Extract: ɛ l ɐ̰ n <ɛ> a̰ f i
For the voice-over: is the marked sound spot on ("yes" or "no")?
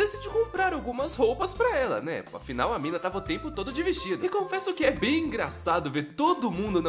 yes